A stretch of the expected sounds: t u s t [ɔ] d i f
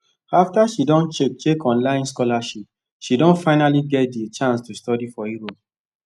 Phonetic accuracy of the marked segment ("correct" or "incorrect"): correct